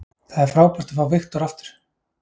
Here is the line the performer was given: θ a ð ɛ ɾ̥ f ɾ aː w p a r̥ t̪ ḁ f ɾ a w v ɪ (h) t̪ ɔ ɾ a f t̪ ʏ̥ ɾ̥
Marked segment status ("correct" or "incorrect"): incorrect